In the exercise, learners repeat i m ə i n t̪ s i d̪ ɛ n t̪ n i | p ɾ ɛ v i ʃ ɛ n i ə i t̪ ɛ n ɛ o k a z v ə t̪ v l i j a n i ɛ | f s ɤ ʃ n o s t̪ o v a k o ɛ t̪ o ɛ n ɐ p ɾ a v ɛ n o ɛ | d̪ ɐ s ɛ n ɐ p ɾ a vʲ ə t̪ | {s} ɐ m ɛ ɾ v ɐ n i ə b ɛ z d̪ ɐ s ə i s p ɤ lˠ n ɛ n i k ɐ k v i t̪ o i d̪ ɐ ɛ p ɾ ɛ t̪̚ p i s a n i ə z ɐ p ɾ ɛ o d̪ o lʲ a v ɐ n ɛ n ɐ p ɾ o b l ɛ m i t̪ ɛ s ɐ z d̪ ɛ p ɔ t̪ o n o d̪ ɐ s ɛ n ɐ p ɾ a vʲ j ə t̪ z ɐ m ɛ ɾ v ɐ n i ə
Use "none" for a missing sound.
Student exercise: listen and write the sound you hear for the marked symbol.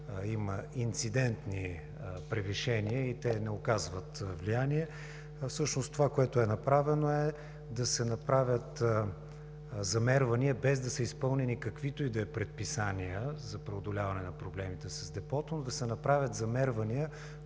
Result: z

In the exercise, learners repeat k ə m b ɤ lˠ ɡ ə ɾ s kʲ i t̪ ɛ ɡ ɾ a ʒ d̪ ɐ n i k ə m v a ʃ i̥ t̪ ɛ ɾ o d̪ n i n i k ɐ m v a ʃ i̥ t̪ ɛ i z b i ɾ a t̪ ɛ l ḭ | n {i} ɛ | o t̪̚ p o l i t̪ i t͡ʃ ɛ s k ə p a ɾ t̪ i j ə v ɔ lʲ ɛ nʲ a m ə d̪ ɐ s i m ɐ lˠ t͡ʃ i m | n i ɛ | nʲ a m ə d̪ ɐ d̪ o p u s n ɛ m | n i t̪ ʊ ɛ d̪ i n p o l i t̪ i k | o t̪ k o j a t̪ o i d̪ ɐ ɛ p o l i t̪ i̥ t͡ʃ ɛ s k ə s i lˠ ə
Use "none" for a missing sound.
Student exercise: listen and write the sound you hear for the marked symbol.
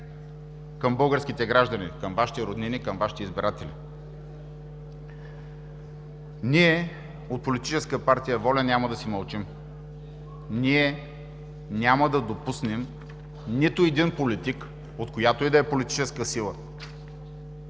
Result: i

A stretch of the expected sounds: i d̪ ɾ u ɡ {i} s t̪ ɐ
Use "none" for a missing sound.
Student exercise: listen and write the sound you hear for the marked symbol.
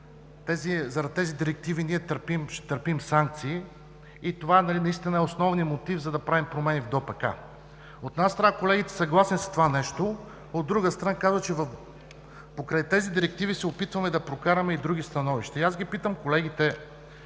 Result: i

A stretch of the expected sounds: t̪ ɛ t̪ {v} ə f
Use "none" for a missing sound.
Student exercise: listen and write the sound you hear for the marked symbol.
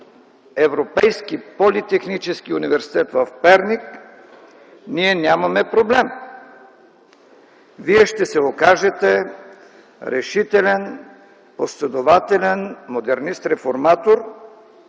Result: v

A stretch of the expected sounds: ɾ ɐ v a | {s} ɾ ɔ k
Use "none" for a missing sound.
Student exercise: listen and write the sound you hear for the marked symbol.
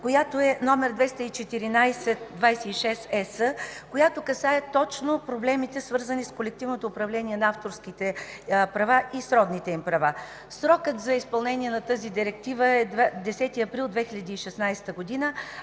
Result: s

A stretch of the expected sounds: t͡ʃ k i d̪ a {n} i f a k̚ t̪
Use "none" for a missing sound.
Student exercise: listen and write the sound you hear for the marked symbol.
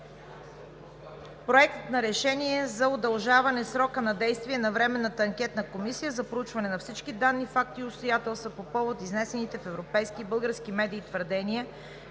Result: nː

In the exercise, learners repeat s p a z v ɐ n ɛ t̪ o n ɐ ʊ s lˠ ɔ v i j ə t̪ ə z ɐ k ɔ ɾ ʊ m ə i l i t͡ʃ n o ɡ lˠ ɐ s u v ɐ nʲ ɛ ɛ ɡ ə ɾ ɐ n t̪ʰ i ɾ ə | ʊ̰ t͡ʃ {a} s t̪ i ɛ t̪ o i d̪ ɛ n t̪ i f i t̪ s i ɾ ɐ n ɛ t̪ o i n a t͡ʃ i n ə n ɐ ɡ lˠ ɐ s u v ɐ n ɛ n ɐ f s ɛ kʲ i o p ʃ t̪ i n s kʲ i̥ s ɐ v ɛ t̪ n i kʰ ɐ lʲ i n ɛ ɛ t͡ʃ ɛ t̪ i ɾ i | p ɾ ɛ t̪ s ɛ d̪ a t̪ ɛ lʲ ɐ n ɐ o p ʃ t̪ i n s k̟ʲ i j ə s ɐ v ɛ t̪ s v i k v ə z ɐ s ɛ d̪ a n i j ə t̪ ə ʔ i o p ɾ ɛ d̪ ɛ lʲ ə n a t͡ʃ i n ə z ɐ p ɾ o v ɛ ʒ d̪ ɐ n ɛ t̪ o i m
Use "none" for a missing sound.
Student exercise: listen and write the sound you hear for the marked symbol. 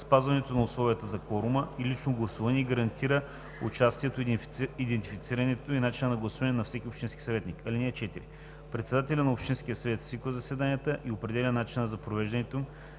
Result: a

